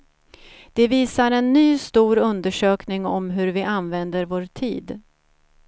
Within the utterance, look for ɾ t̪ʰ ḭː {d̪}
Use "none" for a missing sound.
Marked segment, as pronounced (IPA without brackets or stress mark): d̪